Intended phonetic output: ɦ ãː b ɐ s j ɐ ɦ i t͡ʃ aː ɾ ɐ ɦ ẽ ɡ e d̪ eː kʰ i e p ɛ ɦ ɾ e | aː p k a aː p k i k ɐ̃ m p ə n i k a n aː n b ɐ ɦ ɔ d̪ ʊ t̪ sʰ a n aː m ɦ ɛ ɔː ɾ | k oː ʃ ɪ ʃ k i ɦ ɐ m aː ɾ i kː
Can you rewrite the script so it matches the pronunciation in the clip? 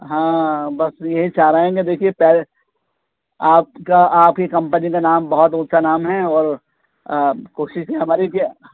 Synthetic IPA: ɦ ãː b ɐ s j ɐ ɦ i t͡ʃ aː ɾ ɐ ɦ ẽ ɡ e d̪ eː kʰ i e p ɛ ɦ l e | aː p k a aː p k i k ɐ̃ m p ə n i k a n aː m b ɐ ɦ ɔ t̪ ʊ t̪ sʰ a n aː m ɦ ɛ ɔː ɾ | k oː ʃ ɪ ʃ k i ɦ ɐ m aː ɾ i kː